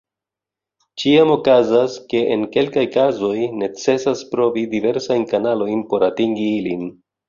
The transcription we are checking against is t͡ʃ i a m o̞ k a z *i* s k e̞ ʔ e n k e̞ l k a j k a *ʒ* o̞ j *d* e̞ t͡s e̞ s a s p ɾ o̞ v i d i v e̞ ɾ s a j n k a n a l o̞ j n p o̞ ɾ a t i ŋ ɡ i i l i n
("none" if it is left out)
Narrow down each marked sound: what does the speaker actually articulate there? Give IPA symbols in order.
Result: a, z, n

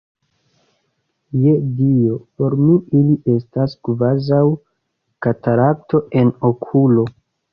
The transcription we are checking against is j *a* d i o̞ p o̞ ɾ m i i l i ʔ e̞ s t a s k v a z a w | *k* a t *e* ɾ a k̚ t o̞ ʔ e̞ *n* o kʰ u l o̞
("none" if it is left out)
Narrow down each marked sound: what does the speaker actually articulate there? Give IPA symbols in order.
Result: e, k, a, n

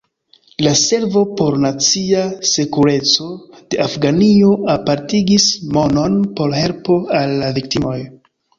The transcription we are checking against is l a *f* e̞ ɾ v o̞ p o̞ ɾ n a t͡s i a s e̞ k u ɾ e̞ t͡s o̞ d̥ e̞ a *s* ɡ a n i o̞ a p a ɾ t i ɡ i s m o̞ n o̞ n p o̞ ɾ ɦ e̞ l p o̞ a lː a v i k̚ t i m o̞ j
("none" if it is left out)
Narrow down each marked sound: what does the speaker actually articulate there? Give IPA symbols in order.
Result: s, f

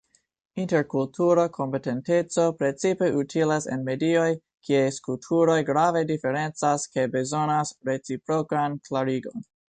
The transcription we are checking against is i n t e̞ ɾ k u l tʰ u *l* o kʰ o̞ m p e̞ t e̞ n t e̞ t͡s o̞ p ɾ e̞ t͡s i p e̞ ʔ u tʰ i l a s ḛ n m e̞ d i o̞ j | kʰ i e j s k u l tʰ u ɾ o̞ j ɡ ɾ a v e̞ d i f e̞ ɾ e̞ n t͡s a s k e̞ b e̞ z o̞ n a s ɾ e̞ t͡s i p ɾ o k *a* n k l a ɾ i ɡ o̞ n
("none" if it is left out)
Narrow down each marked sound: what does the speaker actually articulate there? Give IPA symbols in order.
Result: ɾ, a

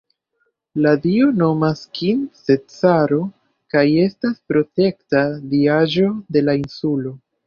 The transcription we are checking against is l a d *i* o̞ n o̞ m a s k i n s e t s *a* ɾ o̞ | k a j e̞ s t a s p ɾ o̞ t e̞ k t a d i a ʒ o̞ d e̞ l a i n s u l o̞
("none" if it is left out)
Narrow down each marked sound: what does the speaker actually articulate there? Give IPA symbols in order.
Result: i, a

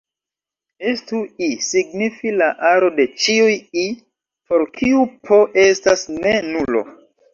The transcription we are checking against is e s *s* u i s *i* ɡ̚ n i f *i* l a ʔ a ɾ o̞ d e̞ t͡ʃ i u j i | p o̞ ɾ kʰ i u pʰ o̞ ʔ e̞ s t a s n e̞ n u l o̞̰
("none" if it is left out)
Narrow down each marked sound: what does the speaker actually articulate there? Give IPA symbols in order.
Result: t, i, i

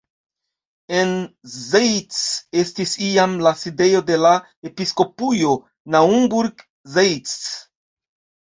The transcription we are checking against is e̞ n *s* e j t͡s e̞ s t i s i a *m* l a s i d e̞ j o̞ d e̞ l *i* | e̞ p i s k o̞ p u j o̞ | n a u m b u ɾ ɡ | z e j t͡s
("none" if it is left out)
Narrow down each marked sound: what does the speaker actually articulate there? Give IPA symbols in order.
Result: z, m, a

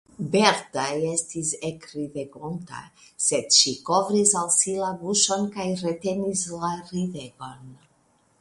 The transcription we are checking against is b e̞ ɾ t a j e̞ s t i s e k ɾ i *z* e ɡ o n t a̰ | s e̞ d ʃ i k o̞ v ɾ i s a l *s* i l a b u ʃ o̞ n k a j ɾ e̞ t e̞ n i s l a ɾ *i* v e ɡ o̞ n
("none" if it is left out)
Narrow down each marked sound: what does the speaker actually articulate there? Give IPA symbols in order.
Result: v, s, i

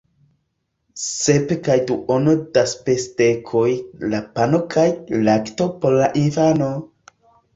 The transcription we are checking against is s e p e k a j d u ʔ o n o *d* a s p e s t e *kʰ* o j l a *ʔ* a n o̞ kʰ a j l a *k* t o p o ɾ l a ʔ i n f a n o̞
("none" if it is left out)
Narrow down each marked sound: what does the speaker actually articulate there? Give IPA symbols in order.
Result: d, kʰ, p, k

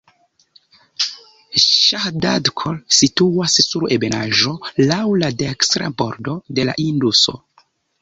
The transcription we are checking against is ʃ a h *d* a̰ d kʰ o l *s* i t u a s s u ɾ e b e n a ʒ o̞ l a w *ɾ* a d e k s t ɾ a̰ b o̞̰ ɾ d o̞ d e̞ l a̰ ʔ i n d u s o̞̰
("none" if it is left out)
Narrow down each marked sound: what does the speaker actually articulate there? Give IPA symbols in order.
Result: d, s, l

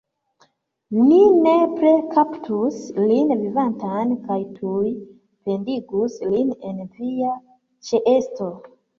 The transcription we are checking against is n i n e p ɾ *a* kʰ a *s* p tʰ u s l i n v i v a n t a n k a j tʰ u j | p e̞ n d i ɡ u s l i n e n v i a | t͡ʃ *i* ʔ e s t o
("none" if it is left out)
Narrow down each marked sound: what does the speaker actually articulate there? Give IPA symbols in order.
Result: e, none, e

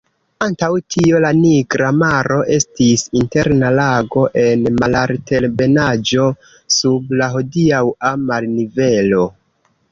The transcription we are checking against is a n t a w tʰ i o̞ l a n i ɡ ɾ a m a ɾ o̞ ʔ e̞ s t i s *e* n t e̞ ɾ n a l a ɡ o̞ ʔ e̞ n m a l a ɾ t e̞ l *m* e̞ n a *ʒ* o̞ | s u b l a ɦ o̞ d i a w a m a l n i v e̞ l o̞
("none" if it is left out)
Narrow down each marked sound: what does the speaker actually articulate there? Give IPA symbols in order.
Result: i, b, d͡ʒ

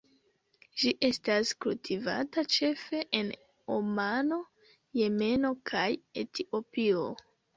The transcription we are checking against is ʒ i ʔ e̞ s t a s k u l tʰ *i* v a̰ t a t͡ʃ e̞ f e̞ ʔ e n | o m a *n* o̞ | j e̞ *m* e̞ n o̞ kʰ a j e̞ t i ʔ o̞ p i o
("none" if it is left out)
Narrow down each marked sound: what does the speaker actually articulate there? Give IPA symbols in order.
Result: i, n, m

